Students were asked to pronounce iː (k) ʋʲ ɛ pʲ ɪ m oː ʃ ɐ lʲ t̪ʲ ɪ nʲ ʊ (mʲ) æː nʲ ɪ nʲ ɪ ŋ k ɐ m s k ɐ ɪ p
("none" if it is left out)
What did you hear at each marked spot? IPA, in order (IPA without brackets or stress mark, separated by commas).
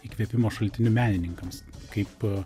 k, mʲ